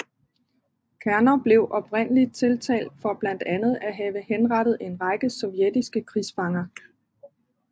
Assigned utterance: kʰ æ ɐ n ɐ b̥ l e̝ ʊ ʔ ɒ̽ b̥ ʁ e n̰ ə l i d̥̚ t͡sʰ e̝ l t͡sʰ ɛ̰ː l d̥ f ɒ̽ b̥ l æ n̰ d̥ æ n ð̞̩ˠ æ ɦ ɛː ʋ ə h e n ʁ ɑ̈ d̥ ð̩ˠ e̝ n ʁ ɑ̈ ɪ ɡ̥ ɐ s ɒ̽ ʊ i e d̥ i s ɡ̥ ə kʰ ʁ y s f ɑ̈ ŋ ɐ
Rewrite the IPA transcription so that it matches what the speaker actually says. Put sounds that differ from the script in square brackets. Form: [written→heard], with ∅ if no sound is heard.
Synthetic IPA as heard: kʰ æ ɐ n ɐ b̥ l e̝ ʊ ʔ ɒ̽ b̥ ʁ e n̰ ə l i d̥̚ t͡sʰ e̝ l t͡sʰ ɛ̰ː l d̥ f ɒ̽ b̥ l æ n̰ d̥ æ n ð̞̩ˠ æ ɦ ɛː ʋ ə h e n ʁ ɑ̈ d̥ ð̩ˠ e̝ n ʁ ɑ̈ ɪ ɡ̥ [ɐ→ə] s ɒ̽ ʊ [i→j] e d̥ i s ɡ̥ ə kʰ ʁ [y→i] s f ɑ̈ ŋ ɐ